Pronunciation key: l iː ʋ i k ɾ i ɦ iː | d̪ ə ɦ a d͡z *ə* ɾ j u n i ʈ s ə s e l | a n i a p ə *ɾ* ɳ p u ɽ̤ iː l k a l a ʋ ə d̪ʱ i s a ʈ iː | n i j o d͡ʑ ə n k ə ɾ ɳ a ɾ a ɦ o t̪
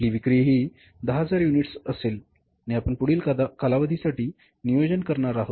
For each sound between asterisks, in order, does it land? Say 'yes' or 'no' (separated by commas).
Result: no, no